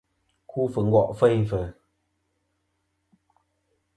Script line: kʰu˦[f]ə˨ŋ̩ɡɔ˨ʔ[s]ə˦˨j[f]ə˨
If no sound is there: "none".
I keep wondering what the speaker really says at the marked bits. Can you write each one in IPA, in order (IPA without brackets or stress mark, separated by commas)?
f, f, f